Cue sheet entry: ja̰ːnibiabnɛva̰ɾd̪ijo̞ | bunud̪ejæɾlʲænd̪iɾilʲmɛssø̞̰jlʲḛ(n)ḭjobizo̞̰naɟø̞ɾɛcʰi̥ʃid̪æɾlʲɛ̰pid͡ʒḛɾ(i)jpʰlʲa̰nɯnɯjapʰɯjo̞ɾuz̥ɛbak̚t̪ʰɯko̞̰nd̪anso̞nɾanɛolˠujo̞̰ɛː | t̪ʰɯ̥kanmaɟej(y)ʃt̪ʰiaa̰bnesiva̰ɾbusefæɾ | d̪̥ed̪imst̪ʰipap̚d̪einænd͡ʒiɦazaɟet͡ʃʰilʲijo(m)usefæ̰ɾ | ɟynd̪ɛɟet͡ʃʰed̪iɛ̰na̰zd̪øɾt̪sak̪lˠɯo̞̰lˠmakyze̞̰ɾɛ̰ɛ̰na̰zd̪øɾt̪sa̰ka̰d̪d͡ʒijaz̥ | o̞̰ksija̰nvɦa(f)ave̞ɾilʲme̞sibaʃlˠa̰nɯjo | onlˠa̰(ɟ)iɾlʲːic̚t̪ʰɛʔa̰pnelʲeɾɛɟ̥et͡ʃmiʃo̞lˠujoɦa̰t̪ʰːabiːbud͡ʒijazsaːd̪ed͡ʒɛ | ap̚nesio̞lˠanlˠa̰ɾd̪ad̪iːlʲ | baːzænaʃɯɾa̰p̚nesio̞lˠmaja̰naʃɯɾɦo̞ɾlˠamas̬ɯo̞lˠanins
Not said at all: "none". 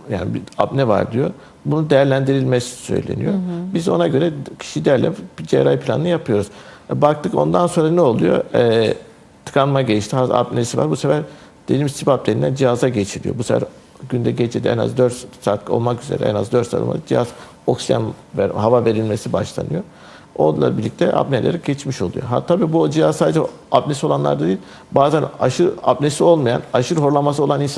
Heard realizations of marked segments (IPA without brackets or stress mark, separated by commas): n, a, i, b, v, b